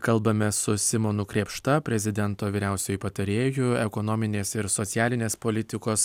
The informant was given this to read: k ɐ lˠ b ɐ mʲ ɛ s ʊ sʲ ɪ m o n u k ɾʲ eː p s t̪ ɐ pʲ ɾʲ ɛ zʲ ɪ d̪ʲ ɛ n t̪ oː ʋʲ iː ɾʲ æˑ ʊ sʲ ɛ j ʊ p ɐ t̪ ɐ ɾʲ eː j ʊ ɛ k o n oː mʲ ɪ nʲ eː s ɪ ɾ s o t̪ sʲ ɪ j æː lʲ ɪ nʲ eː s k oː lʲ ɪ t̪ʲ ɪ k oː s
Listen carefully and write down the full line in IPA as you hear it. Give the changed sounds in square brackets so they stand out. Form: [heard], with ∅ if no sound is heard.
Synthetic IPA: k ɐ lˠ b ɐ mʲ ɛ s ʊ sʲ ɪ m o n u k ɾʲ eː p [ʃ] t̪ ɐ pʲ ɾʲ ɛ zʲ ɪ d̪ʲ ɛ n t̪ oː ʋʲ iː ɾʲ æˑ ʊ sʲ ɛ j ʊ p ɐ t̪ ɐ ɾʲ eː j ʊ ɛ k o n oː mʲ ɪ nʲ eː s ɪ ɾ s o t̪ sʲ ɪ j æː lʲ ɪ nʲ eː s [p] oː lʲ ɪ t̪ʲ ɪ k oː s